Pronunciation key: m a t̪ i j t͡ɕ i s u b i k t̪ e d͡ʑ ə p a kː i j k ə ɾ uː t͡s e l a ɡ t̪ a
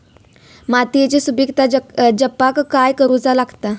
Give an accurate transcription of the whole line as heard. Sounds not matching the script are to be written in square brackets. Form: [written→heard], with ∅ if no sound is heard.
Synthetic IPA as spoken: m a t̪ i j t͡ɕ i s u b i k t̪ [e→a] d͡ʑ ə p a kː [i→a] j k ə ɾ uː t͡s [e→a] l a ɡ t̪ a

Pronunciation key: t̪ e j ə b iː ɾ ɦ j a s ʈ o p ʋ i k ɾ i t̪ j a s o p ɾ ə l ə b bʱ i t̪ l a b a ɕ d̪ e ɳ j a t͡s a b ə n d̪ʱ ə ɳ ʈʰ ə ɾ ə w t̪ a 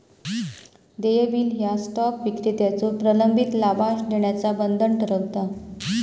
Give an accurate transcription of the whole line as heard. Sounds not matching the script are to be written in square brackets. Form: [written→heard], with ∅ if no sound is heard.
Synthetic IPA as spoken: [t̪→d̪] e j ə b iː [ɾ→l] ɦ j a s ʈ [o→ɔ] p ʋ i k ɾ i t̪ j a [s→t͡s] o p ɾ ə l ə [b→m] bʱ i t̪ l a b a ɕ d̪ e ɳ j a t͡s a b ə n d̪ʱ ə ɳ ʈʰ ə ɾ ə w t̪ a

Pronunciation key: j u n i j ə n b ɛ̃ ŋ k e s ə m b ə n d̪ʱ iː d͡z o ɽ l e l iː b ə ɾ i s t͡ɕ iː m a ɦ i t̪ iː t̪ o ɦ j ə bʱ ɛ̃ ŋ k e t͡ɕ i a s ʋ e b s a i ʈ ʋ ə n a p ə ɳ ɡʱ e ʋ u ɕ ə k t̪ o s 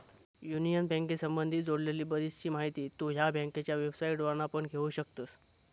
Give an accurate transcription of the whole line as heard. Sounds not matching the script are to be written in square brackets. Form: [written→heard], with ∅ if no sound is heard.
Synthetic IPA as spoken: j u n i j ə n b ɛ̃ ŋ k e s ə m b ə n d̪ʱ iː d͡z o ɽ l e l iː b ə ɾ i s t͡ɕ iː m a ɦ i t̪ iː t̪ o ɦ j [ə→a] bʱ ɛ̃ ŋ k e t͡ɕ [i→j] a [s→∅] ʋ e b s a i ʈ ʋ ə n a p ə ɳ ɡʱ e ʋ u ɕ ə k t̪ o s

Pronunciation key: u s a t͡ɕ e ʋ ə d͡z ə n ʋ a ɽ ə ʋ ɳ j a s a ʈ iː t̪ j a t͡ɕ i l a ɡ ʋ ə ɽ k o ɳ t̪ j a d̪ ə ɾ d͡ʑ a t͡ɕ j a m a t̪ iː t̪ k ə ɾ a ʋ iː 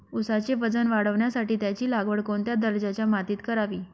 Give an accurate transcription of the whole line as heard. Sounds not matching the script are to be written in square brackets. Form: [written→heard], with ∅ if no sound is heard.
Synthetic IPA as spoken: u s a t͡ɕ e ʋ ə d͡z ə n ʋ a ɽ ə ʋ ɳ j a s a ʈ iː t̪ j a t͡ɕ [i→iː] l a ɡ ʋ ə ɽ k o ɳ t̪ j a d̪ ə ɾ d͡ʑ a t͡ɕ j a m a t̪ iː t̪ k ə ɾ a ʋ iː

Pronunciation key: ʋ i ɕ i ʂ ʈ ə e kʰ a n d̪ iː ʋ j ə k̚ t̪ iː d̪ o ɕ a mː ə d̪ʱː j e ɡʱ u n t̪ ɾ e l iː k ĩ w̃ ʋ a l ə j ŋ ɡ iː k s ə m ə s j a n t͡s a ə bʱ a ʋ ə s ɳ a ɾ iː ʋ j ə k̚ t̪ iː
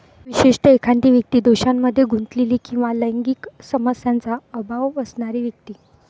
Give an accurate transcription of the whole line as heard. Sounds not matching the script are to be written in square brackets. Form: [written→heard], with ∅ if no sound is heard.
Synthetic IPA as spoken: ʋ i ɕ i ʂ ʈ ə e kʰ a n [d̪→t̪] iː ʋ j ə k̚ t̪ iː d̪ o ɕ a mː ə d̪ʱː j e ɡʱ u n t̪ [ɾ→l] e l iː k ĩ w̃ ʋ a l ə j ŋ ɡ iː k s ə m ə s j a n t͡s a ə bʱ a ʋ ə s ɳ a ɾ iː ʋ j ə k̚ t̪ iː

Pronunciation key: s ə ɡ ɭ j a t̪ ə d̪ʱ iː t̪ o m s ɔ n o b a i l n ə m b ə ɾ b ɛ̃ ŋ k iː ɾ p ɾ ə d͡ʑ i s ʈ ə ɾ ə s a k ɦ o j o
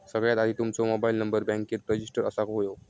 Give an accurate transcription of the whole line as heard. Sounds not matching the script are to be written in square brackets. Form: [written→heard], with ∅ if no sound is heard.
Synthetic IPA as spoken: s ə ɡ ɭ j a t̪ [ə→a] d̪ʱ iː t̪ [o→u] m [s→t͡s] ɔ [n→m] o b a i l n ə m b ə ɾ b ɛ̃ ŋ k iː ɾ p ɾ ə d͡ʑ i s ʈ ə ɾ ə s a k ɦ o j o

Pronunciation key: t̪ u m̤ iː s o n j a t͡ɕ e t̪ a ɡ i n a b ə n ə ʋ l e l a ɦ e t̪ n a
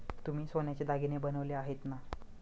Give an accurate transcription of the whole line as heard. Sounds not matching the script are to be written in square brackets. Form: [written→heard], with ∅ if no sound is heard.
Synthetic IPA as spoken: t̪ u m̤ iː s o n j a t͡ɕ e [t̪→d̪] a ɡ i n [a→e] b ə n ə ʋ l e [l→∅] a ɦ e t̪ n a

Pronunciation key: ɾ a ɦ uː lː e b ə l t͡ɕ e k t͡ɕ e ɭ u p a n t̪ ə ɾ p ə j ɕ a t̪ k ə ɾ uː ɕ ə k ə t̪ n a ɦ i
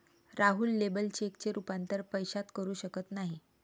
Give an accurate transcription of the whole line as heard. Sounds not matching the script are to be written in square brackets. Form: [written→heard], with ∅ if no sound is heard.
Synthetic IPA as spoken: ɾ a ɦ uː lː e b ə l t͡ɕ e k t͡ɕ e [ɭ→ɾ] u p a n t̪ ə ɾ p ə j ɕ a t̪ k ə ɾ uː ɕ ə k ə t̪ n a ɦ i

